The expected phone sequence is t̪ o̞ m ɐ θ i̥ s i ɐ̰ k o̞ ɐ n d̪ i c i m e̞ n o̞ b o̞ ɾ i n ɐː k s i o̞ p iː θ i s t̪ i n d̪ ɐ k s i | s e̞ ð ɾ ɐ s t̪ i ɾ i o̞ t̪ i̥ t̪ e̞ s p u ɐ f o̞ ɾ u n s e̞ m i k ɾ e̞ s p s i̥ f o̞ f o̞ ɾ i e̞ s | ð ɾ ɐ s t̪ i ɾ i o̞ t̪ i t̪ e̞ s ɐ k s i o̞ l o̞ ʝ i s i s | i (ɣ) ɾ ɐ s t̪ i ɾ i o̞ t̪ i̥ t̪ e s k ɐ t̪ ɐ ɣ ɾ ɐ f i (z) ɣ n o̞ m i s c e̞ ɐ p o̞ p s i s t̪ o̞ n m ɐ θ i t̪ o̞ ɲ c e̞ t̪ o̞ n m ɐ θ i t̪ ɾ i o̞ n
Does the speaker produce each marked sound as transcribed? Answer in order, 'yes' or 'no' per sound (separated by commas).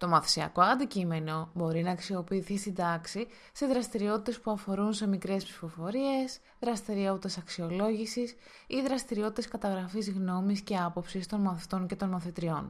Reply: no, yes